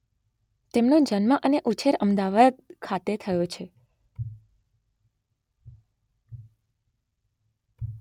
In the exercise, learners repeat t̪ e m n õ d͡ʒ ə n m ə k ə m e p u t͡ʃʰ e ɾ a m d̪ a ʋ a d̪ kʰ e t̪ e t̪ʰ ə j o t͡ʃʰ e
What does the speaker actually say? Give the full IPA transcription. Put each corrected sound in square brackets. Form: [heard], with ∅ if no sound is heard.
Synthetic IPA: t̪ e m n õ d͡ʒ ə n m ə [ʔ] ə [n] e [ʔ] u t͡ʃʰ e ɾ [ə] m d̪ a ʋ a d̪ kʰ [a] t̪ e t̪ʰ ə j o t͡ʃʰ e

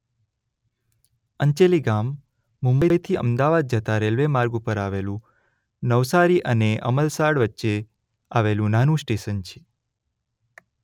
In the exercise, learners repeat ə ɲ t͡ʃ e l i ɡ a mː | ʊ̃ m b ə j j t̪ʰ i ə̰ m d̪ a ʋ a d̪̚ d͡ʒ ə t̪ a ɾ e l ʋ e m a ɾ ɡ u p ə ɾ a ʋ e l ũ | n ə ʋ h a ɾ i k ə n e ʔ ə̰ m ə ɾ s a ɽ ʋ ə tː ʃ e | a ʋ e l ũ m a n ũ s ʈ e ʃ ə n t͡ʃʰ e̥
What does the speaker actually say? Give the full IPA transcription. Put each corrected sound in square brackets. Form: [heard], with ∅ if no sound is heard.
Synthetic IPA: ə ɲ t͡ʃ e l i ɡ a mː | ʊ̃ m b ə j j t̪ʰ i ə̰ m d̪ a ʋ a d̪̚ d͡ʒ ə t̪ a ɾ e l ʋ e m a ɾ ɡ u p ə ɾ a ʋ e l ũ | n ə ʋ [s] a ɾ i [ʔ] ə n e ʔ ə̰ m ə [l] s a ɽ ʋ ə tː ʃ e | a ʋ e l ũ [n] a n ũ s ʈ e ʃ ə n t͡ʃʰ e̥

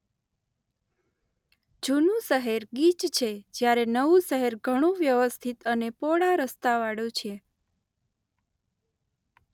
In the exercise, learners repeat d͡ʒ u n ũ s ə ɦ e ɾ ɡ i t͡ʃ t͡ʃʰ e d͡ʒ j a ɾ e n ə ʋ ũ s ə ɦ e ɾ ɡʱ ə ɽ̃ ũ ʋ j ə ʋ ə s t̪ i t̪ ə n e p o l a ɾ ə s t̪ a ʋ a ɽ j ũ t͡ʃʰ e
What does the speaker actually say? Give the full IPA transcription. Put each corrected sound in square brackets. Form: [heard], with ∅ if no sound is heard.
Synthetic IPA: d͡ʒ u n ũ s ə ɦ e ɾ ɡ i t͡ʃ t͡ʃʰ e d͡ʒ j a ɾ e n ə ʋ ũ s ə ɦ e ɾ ɡʱ ə ɽ̃ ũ ʋ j ə ʋ ə s [t̪ʰ] i t̪ ə n e p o [ɽ] a ɾ ə s t̪ a ʋ a ɽ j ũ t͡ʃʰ e

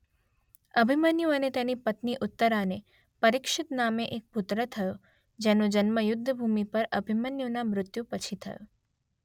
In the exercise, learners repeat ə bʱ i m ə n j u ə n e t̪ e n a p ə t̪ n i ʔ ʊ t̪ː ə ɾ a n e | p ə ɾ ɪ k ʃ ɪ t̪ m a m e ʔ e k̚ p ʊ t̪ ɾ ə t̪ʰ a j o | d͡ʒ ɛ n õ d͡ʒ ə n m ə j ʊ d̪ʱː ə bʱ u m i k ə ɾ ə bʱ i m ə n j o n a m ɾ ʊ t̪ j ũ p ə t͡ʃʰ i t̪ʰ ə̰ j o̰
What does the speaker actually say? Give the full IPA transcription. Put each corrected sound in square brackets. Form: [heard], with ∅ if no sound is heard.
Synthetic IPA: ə bʱ i m ə n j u ə n e t̪ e n [i] p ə t̪ n i ʔ ʊ t̪ː ə ɾ a n e | p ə ɾ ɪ k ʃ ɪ t̪ [n] a m e ʔ e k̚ p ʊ t̪ ɾ ə t̪ʰ [ə] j o | d͡ʒ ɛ n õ d͡ʒ ə n m ə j ʊ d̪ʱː ə bʱ u m i [p] ə ɾ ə bʱ i m ə n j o n a m ɾ ʊ t̪ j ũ p ə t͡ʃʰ i t̪ʰ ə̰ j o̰

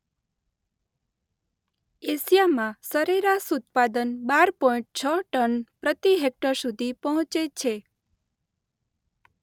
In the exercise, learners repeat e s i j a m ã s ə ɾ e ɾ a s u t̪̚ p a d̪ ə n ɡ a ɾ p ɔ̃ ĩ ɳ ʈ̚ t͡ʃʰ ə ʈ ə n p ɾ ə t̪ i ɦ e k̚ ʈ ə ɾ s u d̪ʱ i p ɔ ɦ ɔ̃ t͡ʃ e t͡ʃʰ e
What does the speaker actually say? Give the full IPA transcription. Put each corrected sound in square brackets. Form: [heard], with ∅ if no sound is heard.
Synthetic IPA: e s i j a m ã s ə ɾ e ɾ a s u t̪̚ p a d̪ ə n [b] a ɾ p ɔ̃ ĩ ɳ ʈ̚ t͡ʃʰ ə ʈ ə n p ɾ ə t̪ i ɦ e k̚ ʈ ə ɾ s u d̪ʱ i p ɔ ɦ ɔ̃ t͡ʃ e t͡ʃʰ e

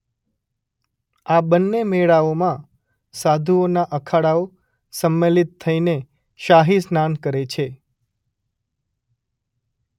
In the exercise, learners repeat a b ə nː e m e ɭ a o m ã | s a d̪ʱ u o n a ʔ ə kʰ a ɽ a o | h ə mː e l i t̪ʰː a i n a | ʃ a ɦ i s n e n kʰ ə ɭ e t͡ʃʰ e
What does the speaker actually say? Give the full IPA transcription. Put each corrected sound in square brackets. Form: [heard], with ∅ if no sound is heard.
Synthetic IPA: a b ə nː e m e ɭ a o m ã | s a d̪ʱ u o n a ʔ ə kʰ a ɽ a o | [s] ə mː e l i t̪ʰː [ə] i n [e] | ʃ a ɦ i s n [a] n [k] ə [ɾ] e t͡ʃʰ e

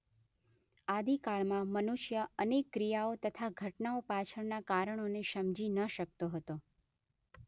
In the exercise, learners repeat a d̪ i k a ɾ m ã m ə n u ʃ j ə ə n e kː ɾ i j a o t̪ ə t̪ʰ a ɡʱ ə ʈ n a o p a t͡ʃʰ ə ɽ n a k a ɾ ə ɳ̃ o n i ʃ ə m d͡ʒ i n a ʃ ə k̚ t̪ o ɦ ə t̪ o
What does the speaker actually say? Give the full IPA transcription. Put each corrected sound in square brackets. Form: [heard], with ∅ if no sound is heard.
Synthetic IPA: a d̪ i k a [ɭ] m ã m ə n u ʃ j ə ə n e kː ɾ i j a o t̪ ə t̪ʰ a ɡʱ ə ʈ n a o p a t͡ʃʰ ə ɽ n a k a ɾ ə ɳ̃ o n [e] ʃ ə m d͡ʒ i n [ə] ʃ ə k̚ t̪ o ɦ ə t̪ o

